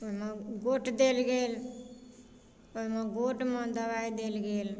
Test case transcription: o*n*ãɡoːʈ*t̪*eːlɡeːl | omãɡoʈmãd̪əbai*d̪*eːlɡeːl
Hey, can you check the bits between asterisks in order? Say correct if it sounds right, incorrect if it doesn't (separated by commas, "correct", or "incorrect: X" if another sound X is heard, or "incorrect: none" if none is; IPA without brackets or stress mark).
incorrect: m, incorrect: d̪, correct